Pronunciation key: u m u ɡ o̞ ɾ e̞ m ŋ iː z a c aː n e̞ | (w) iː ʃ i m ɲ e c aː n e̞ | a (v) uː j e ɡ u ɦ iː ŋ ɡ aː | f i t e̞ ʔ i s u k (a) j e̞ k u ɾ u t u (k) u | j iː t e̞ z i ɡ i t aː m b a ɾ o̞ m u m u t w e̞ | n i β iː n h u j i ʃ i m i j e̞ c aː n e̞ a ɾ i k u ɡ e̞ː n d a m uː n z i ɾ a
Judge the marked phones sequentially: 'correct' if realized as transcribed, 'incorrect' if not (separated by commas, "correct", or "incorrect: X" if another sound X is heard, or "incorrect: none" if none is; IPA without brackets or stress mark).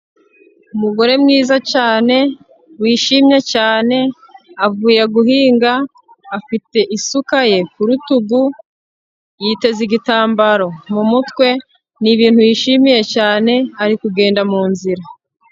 correct, correct, correct, incorrect: ɡ